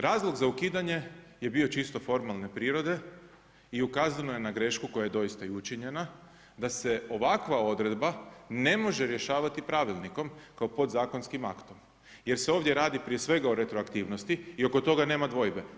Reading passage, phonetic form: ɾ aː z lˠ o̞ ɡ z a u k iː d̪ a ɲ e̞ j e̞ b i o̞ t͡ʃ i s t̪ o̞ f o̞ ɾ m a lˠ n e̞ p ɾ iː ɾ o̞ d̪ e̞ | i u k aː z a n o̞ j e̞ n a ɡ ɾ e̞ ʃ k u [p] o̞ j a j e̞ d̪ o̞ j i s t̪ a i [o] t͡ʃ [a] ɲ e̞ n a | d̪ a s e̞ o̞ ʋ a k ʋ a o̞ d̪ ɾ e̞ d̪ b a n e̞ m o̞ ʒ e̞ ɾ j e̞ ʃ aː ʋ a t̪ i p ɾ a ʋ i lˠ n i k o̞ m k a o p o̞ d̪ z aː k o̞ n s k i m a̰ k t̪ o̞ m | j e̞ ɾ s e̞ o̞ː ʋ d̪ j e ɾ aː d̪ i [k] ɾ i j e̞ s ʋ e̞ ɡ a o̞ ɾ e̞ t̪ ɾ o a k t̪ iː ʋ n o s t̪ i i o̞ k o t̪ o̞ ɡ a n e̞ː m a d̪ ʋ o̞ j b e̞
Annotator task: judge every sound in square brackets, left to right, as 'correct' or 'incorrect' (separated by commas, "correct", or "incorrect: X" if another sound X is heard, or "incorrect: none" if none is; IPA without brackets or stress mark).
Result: incorrect: k, incorrect: u, incorrect: i, incorrect: p